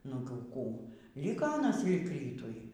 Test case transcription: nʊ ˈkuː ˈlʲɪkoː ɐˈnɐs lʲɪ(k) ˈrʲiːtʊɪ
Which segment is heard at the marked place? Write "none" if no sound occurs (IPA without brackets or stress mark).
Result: k